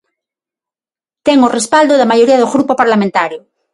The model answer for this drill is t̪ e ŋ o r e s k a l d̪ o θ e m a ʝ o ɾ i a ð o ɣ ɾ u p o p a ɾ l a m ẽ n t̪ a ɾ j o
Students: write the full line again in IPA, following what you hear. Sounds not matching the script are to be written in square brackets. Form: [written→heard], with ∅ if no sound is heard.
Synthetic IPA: t̪ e ŋ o r e s [k→p] a l d̪ o [θ→ð] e m a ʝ o ɾ i a ð o ɣ ɾ u p o p a ɾ l a m ẽ n t̪ a ɾ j o